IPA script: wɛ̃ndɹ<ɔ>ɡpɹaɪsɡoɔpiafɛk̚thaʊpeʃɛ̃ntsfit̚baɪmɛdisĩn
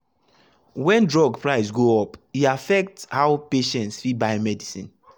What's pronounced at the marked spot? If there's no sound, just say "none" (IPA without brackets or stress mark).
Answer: ɔ